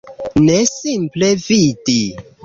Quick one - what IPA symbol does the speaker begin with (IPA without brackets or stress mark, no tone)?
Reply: n